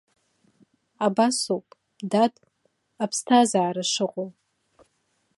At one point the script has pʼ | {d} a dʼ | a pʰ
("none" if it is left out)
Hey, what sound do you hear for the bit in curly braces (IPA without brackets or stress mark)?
d